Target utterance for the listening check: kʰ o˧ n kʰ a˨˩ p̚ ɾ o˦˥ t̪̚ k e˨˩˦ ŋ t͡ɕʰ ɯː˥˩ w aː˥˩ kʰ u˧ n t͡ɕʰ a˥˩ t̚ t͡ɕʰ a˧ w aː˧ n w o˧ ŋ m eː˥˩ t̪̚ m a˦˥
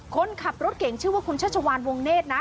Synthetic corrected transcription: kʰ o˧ n kʰ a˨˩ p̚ ɾ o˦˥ t̪̚ k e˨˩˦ ŋ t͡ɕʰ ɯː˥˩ w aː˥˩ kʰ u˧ n t͡ɕʰ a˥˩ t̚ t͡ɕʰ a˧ w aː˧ n w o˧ ŋ n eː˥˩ t̪̚ n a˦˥